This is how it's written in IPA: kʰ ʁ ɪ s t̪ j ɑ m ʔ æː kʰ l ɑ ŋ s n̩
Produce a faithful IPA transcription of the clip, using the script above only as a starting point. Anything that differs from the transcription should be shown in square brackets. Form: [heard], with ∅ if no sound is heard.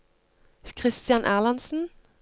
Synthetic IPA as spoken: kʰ ʁ ɪ s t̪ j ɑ [n] ʔ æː [∅] l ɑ [n] s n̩